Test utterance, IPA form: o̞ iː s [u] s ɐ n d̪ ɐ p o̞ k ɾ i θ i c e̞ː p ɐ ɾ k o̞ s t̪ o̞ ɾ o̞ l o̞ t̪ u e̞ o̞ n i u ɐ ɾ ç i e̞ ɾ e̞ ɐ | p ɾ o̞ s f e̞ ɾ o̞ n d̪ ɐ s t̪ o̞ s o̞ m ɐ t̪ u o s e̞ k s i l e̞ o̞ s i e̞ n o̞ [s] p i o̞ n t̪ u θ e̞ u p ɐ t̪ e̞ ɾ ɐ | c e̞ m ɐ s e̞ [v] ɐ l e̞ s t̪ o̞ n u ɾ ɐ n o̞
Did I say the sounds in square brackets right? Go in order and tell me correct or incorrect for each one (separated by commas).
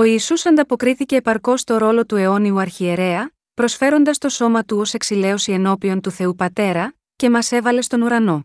correct, incorrect, correct